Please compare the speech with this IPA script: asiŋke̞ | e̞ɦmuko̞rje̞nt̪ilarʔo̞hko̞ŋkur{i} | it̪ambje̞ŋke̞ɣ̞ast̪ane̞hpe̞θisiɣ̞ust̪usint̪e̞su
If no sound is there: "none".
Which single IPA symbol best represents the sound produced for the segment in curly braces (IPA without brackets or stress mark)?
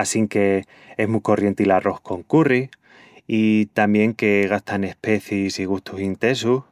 i